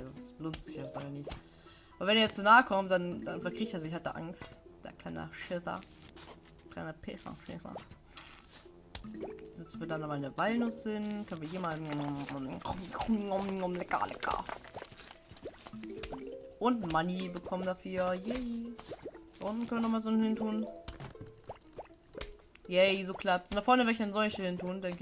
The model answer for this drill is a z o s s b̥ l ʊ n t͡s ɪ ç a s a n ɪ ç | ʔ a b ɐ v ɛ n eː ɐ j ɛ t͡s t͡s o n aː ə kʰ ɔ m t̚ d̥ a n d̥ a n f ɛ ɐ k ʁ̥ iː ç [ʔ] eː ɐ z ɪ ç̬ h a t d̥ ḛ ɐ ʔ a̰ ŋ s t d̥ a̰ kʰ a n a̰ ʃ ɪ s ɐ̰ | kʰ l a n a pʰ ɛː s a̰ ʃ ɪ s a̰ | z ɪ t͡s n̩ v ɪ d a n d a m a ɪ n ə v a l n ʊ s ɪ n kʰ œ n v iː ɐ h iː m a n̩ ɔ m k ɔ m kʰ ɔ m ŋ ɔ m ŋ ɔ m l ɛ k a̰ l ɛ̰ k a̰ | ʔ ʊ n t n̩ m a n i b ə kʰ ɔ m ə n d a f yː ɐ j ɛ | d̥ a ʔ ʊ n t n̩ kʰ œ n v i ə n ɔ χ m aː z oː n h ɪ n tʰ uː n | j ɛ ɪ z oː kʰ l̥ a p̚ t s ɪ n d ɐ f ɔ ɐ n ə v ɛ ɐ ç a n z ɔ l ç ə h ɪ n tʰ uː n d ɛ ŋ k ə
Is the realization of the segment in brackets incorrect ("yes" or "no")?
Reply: yes